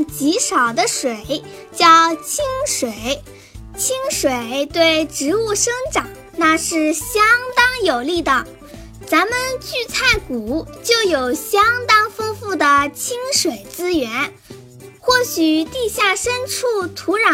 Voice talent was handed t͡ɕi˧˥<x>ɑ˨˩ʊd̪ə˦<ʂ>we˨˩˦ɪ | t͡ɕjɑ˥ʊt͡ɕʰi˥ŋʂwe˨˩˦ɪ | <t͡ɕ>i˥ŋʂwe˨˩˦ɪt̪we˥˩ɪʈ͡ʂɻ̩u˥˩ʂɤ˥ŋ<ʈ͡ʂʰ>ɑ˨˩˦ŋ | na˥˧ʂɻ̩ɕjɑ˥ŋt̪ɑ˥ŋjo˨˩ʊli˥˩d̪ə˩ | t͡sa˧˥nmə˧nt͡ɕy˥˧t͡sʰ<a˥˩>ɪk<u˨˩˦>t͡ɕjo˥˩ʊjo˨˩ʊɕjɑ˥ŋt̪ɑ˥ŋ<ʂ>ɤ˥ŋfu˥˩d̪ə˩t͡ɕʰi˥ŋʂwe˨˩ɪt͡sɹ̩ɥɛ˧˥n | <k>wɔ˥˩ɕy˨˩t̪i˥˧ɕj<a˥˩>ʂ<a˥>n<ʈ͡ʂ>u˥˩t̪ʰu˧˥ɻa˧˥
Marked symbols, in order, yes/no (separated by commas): no, yes, no, no, yes, yes, no, no, yes, no, no